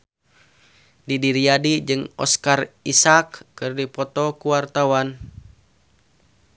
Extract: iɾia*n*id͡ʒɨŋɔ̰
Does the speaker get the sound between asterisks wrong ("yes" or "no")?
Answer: yes